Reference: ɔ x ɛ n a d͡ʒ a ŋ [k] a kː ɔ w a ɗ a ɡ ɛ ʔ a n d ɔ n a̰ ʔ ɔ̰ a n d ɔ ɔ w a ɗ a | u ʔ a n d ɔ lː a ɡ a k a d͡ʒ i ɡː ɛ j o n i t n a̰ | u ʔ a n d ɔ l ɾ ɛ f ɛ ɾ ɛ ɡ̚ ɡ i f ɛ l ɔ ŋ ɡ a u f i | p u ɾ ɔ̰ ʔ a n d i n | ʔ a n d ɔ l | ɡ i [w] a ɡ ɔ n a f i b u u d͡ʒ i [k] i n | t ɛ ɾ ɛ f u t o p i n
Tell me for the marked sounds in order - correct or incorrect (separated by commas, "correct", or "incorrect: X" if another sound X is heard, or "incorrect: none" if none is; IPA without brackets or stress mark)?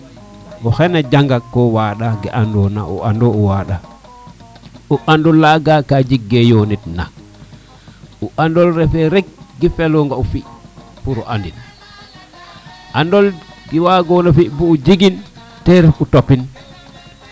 incorrect: ɡ, correct, incorrect: ɡ